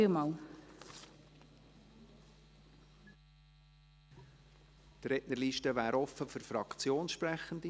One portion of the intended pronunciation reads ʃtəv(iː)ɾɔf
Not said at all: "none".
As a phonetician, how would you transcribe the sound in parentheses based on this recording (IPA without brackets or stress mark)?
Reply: æː